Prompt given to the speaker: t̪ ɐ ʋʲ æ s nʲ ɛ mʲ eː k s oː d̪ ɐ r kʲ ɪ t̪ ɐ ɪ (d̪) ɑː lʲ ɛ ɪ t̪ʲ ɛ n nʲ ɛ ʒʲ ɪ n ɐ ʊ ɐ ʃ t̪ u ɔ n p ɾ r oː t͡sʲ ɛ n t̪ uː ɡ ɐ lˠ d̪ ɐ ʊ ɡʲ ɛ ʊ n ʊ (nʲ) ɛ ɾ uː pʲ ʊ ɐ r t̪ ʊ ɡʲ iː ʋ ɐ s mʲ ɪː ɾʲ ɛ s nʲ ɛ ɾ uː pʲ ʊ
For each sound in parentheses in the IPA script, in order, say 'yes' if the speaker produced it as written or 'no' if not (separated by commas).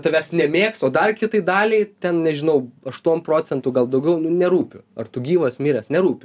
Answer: yes, yes